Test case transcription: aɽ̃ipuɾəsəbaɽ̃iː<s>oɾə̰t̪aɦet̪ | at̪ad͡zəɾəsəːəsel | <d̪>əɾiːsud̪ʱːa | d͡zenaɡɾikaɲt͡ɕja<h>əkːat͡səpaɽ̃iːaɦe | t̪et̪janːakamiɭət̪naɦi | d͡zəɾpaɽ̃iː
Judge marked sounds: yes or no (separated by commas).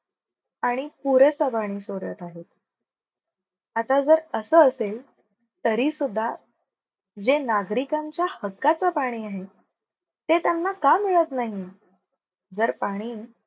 yes, no, yes